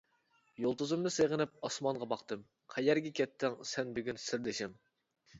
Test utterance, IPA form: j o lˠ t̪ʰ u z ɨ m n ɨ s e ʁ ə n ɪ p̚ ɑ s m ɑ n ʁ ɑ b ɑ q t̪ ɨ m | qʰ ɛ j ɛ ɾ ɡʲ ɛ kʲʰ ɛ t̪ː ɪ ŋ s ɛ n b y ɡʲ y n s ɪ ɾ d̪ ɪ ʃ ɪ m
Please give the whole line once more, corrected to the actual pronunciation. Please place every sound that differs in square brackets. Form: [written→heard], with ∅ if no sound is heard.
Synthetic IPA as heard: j o lˠ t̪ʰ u z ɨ m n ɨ s e ʁ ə n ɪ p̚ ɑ s m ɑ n ʁ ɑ b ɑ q t̪ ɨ m | qʰ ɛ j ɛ ɾ ɡʲ ɛ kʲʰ ɛ t̪ː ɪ ŋ s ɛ n b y ɡʲ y n s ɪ ɾ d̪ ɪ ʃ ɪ m